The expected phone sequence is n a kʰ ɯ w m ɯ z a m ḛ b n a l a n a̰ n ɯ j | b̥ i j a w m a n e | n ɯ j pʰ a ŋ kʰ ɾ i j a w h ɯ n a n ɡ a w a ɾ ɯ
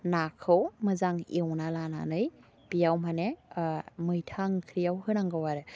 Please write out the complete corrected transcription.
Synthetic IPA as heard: n a kʰ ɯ w m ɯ z a ŋ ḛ w n a l a n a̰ n ɯ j | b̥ i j a w m a n e | m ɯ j tʰ a ŋ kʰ ɾ i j a w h ɯ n a ŋ ɡ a w a ɾ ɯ